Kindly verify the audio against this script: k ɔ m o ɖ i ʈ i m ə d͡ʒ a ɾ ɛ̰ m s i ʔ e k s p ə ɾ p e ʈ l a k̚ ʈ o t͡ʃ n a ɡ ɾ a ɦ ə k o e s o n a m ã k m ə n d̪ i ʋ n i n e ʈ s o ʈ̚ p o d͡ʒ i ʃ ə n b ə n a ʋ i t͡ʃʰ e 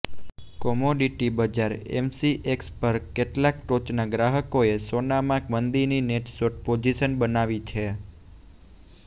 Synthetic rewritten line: k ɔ m o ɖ i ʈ i b ə d͡ʒ a ɾ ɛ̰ m s i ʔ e k s p ə ɾ k e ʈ l a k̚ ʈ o t͡ʃ n a ɡ ɾ a ɦ ə k o e s o n a m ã k m ə n d̪ i n i n e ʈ s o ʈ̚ p o d͡ʒ i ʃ ə n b ə n a ʋ i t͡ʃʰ e